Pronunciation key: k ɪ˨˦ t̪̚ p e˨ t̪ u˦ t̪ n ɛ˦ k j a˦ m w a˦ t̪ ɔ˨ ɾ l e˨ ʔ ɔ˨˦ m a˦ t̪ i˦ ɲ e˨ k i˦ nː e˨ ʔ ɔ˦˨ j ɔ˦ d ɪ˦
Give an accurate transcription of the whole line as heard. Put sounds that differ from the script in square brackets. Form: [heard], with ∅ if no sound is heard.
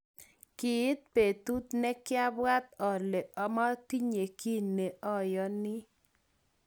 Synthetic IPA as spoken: k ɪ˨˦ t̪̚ p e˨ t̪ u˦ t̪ n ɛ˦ k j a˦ [b] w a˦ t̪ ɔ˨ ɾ l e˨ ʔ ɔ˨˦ m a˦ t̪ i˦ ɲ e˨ k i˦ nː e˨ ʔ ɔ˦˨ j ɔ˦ [n] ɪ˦